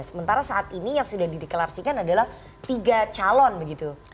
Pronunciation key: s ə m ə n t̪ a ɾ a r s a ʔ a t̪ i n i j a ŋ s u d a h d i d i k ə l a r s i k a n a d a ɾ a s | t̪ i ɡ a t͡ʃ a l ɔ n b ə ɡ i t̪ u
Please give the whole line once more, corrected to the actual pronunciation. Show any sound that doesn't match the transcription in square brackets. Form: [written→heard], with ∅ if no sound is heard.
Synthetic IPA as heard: s ə m ə n t̪ a ɾ a [r→∅] s a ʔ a t̪ i n i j a ŋ s u d a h d i d i k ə l a r s i k a n a d a [ɾ→l] a [s→h] | t̪ i ɡ a t͡ʃ a l ɔ n b ə ɡ i t̪ u